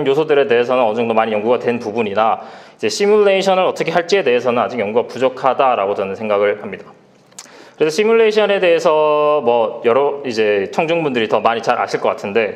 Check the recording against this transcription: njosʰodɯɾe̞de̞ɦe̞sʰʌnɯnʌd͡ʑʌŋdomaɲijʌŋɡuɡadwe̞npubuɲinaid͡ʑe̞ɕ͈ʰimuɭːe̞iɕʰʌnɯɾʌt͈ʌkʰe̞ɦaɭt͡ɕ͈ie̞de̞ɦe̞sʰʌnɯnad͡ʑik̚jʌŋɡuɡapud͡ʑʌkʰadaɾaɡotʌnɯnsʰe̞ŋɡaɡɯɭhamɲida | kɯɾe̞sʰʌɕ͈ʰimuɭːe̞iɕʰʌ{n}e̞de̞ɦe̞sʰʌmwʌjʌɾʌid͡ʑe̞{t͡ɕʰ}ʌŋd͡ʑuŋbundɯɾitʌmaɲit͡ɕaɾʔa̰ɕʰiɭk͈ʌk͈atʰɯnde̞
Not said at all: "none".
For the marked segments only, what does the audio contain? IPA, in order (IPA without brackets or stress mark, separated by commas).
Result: n, t͡ɕʰ